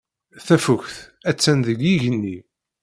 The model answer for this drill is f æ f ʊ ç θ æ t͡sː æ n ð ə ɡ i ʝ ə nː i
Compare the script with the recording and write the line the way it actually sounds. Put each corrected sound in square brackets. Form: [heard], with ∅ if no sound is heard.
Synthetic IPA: [θ] æ f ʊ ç θ æ t͡sː æ n ð ə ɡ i ʝ ə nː i